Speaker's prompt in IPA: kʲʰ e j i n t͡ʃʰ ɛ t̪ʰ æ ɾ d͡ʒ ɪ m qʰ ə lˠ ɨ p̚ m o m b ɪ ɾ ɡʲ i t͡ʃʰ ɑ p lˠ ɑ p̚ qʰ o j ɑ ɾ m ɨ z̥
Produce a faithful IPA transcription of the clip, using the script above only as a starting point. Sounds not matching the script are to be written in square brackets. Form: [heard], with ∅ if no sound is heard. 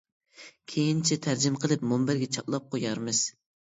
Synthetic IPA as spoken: kʲʰ e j i n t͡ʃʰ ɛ t̪ʰ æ ɾ d͡ʒ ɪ m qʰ ə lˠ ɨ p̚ m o m b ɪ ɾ ɡʲ [ɛ] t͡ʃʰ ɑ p lˠ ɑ p̚ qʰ o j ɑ ɾ m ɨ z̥